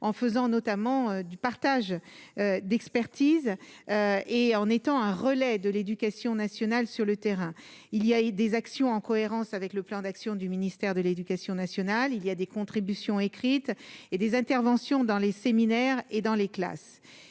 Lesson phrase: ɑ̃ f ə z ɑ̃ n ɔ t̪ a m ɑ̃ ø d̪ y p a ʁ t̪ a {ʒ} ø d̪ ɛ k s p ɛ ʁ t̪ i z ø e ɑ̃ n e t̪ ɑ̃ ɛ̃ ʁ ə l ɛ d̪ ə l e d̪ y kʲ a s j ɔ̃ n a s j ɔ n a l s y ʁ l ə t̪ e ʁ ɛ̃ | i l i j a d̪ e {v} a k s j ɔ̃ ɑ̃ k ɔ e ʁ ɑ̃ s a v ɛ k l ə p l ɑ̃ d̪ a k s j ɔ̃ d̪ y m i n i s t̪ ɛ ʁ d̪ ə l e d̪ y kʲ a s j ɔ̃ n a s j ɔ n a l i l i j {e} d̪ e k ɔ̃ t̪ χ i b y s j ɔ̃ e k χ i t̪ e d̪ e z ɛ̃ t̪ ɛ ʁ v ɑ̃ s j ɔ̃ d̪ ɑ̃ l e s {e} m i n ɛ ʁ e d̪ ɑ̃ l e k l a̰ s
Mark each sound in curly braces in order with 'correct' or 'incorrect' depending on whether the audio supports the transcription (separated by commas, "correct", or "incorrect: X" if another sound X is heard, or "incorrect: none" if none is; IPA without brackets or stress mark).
correct, incorrect: z, incorrect: a, correct